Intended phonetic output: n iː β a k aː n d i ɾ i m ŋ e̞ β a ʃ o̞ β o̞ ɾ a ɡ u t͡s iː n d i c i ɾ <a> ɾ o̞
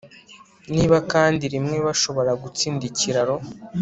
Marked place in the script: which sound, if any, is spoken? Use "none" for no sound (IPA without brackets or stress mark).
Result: a